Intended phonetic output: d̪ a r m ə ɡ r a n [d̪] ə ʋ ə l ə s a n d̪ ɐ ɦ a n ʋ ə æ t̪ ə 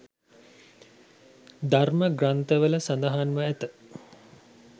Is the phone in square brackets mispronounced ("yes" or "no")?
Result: yes